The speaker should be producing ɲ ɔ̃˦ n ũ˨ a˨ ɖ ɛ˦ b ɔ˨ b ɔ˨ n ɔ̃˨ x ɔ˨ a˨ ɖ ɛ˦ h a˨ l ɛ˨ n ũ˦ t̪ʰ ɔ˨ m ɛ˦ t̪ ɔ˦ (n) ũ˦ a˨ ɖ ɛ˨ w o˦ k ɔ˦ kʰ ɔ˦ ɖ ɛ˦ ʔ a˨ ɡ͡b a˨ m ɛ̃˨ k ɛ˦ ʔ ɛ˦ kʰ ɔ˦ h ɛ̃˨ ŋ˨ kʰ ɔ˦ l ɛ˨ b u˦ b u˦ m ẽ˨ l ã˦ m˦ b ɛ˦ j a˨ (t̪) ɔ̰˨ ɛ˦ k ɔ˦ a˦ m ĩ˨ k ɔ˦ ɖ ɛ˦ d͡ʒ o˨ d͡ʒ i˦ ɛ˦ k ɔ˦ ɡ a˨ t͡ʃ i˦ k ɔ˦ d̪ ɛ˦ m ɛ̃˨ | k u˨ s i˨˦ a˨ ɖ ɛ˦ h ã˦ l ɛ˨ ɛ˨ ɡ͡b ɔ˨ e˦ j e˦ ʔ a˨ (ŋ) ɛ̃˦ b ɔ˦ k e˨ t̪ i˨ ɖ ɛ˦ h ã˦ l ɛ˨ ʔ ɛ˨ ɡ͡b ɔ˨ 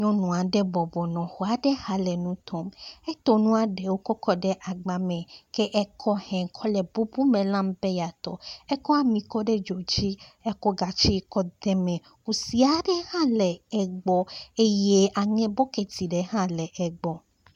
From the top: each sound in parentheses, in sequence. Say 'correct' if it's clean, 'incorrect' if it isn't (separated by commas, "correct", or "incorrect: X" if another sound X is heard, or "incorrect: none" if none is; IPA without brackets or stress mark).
correct, correct, correct